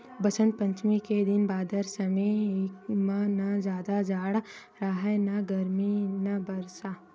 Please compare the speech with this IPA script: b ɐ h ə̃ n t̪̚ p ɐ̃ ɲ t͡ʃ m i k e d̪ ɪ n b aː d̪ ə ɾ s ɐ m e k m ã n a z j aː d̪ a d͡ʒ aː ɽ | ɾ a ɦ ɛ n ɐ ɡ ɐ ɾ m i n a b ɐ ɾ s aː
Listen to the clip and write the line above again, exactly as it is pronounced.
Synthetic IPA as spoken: b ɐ s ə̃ n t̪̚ p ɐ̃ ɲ t͡ʃ m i k e d̪ ɪ n b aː d̪ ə ɾ s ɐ m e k m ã n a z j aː d̪ a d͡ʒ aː ɽ | ɾ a ɦ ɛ n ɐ ɡ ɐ ɾ m i n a b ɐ ɾ s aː